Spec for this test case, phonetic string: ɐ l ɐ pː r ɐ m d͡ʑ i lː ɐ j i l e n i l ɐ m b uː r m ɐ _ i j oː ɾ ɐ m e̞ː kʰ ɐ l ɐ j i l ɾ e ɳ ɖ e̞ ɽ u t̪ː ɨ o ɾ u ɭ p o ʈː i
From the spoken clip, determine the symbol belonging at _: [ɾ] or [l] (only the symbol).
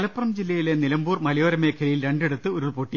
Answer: l